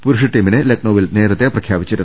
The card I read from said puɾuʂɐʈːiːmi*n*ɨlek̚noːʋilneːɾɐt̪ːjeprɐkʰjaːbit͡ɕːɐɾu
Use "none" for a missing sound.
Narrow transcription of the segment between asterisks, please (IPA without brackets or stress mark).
n